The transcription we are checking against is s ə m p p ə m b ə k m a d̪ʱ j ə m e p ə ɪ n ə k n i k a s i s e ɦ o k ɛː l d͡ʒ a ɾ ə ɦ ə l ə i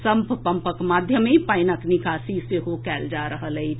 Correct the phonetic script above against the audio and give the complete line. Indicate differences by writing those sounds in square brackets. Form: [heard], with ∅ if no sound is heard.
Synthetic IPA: s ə m p p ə m [p] ə k m a d̪ʱ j ə m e p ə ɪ n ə k n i k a s i s e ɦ o k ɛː l d͡ʒ a ɾ ə ɦ ə l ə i